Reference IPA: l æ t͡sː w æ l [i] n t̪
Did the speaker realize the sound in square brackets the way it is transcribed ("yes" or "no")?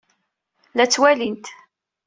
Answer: yes